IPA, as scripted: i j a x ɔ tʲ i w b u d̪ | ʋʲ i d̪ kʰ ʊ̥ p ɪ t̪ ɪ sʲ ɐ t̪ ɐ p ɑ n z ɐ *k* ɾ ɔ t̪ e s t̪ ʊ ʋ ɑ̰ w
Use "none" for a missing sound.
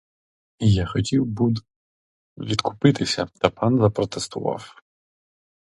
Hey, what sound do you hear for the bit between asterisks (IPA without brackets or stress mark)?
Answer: p